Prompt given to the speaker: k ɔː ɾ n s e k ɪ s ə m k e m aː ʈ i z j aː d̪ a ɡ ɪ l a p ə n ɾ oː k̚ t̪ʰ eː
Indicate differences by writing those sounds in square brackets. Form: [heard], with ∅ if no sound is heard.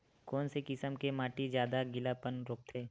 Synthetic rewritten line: k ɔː [∅] n s e k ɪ s ə m k e m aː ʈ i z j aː d̪ a ɡ ɪ l a p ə n ɾ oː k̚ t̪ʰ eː